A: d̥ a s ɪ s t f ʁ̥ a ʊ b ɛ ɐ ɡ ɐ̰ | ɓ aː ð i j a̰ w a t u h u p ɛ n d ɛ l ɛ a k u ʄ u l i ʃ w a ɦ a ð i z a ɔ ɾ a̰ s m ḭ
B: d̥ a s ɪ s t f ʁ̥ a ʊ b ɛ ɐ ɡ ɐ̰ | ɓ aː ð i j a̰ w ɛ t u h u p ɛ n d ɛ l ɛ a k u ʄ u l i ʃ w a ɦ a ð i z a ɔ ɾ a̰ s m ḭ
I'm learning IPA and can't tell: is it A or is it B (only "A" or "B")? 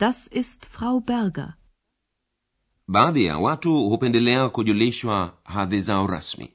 A